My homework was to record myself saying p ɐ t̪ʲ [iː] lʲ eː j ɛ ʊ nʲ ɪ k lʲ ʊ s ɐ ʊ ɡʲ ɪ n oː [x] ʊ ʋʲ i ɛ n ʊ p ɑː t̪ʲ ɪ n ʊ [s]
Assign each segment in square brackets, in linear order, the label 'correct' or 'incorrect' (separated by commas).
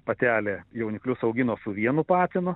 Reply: incorrect, incorrect, incorrect